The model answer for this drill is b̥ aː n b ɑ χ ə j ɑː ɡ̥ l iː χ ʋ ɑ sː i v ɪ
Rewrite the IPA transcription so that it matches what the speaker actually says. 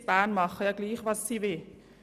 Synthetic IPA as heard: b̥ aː n m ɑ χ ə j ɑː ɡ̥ l iː χ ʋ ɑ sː i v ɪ